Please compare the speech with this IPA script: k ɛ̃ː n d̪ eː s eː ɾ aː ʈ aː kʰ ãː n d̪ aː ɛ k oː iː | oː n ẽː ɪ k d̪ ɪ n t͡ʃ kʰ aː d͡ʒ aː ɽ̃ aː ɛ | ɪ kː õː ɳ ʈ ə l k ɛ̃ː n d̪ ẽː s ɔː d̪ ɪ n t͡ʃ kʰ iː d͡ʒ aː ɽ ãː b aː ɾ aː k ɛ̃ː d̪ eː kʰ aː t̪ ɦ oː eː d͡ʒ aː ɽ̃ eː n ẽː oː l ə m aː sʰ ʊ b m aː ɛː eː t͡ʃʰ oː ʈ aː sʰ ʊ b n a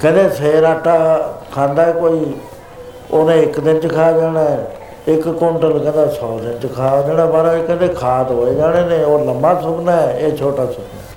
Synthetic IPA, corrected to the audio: k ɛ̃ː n d̪ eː s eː ɾ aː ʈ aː kʰ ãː n d̪ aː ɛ k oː iː | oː n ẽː ɪ k d̪ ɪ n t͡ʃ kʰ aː d͡ʒ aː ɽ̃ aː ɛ | ɪ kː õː ɳ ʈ ə l k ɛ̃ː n d̪ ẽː s ɔː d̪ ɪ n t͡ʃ kʰ aː d͡ʒ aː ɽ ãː b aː ɾ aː k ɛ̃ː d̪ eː kʰ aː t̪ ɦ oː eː d͡ʒ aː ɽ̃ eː n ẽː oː l ə m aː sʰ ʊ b n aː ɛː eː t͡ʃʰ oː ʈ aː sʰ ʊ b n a